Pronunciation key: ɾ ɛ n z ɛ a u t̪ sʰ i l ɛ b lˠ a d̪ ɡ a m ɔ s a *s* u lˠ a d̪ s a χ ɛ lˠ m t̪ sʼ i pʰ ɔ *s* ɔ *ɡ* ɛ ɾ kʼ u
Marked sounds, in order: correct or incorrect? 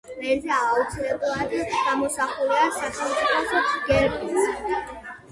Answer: incorrect, correct, correct

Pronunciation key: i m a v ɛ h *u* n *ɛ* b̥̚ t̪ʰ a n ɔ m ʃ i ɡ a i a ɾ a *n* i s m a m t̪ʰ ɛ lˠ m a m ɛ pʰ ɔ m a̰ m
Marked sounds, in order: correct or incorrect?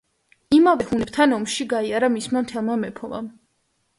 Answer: correct, correct, incorrect

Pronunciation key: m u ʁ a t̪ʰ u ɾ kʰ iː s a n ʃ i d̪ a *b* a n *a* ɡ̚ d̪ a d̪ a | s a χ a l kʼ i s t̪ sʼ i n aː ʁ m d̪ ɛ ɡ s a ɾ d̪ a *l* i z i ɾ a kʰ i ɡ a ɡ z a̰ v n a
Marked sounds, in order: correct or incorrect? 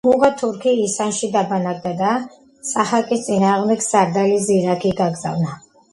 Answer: correct, correct, correct

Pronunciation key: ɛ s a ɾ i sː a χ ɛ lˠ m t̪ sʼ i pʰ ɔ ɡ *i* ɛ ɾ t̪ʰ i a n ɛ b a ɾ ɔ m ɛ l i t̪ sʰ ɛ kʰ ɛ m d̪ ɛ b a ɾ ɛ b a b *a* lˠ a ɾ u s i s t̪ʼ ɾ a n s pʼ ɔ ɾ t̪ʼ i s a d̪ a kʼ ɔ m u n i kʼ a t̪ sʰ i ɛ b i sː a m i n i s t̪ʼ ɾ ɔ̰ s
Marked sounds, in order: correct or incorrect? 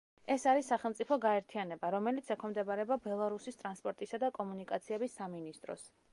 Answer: incorrect, incorrect

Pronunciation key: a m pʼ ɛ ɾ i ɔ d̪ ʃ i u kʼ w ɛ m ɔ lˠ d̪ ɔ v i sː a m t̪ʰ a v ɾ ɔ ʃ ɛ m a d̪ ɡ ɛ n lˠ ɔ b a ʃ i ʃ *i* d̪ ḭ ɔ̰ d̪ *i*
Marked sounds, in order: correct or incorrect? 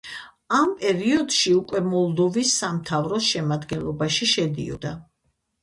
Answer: incorrect, incorrect

